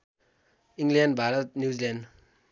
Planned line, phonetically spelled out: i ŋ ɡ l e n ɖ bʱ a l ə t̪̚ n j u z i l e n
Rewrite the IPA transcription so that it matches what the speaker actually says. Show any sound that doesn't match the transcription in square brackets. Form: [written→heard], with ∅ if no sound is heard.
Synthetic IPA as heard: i ŋ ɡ l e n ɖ bʱ a [l→ɾ] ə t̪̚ n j u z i l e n